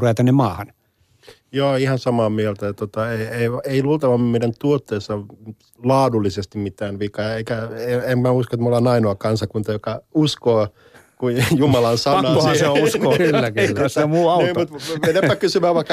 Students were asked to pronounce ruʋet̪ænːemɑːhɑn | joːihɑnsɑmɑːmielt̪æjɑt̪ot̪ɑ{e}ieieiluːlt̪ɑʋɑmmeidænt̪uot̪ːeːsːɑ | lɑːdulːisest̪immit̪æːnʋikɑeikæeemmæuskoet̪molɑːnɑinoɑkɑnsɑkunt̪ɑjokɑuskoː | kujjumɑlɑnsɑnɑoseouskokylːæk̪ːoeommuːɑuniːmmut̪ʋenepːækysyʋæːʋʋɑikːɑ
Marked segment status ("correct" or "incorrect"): correct